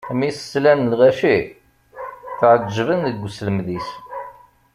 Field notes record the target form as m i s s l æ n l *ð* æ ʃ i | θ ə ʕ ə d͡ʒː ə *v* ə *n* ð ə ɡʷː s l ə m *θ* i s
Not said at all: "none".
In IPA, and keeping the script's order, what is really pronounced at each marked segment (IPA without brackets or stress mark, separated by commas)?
ʁ, v, n, ð